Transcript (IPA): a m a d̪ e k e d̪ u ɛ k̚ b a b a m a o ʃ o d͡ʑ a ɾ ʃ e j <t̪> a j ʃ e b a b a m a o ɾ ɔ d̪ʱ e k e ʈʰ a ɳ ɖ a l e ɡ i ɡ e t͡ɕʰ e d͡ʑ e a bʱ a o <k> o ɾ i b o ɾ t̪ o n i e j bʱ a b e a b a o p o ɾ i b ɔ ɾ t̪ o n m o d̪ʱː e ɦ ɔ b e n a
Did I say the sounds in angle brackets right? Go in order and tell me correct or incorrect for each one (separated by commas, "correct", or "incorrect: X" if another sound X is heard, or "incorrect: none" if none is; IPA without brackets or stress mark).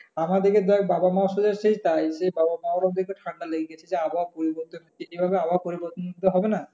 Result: correct, incorrect: p